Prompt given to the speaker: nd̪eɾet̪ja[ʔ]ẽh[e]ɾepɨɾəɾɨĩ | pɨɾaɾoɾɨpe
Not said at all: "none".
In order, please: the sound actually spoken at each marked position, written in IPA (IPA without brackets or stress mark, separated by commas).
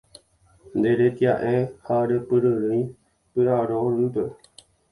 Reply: ʔ, a